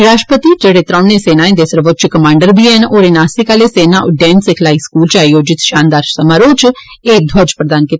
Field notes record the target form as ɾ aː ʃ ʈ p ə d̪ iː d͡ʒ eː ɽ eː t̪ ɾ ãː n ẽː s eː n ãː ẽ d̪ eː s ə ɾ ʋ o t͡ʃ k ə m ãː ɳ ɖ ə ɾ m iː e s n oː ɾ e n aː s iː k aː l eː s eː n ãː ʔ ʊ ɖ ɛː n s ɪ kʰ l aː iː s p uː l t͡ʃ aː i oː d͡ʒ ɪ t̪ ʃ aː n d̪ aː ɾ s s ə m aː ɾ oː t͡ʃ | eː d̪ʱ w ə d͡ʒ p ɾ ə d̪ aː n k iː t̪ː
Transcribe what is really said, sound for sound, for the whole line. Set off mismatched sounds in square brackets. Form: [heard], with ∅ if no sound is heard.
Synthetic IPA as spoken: ɾ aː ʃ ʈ p ə [t̪] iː d͡ʒ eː ɽ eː t̪ ɾ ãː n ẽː s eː n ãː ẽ d̪ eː s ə ɾ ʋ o t͡ʃ k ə m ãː ɳ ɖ ə ɾ [b] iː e [∅] n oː ɾ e n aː s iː k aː l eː s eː n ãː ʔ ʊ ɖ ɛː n s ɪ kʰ l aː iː s [k] uː l t͡ʃ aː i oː d͡ʒ ɪ t̪ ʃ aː n d̪ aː ɾ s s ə m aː ɾ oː t͡ʃ | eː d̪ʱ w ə d͡ʒ p ɾ ə d̪ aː n k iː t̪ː